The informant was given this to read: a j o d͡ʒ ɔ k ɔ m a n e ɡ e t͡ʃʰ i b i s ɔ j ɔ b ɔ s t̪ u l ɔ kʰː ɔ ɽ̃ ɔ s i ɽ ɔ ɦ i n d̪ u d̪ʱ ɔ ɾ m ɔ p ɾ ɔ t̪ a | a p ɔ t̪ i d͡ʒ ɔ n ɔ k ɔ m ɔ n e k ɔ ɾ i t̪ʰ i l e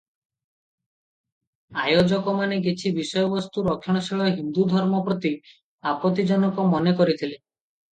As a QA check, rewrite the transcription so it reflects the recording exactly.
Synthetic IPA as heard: a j o d͡ʒ ɔ k ɔ m a n e ɡ e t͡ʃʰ i b i s ɔ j ɔ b ɔ s t̪ u ɾ ɔ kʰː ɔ ɽ̃ ɔ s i ɭ ɔ ɦ i n d̪ u d̪ʱ ɔ ɾ m ɔ p ɾ ɔ t̪ i | a p ɔ t̪ i d͡ʒ ɔ n ɔ k ɔ m ɔ n e k ɔ ɾ i t̪ʰ i l e